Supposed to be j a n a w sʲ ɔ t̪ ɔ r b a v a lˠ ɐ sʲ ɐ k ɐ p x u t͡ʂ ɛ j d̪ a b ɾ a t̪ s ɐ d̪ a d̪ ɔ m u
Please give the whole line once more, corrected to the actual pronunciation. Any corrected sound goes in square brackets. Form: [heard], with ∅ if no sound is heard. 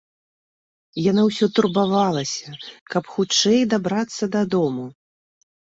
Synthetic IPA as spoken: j a n a w sʲ ɔ t̪ [u] r b a v a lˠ ɐ sʲ ɐ k ɐ p x u t͡ʂ ɛ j d̪ a b ɾ a t̪ [sː] ɐ d̪ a d̪ ɔ m u